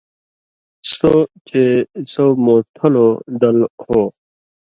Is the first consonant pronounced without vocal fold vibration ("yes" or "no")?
yes